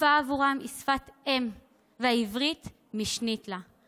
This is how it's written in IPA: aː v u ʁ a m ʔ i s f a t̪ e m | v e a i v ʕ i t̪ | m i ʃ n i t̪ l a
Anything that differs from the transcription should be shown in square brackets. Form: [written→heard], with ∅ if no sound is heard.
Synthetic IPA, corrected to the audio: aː v u ʁ a m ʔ i s f a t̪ e m | v e a i v [ʕ→ʁ] i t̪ | m i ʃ n i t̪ l a